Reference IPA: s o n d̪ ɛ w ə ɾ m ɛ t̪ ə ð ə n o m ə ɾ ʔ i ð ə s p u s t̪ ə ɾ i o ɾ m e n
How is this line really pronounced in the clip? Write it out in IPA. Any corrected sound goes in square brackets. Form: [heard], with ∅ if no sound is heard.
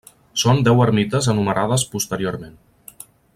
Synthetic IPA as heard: s o n d̪ ɛ w ə ɾ m [i] t̪ ə [z] ə n [u] m ə ɾ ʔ [a] ð ə s p u s t̪ ə ɾ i o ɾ m e n